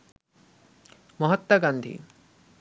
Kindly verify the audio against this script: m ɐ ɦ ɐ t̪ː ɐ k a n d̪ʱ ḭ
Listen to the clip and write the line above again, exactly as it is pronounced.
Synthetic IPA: m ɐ ɦ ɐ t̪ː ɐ ɡ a n d̪ʱ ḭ